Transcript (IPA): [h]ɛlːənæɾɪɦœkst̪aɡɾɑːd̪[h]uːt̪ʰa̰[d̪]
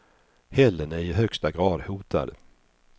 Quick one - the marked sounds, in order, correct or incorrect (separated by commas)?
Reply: correct, correct, correct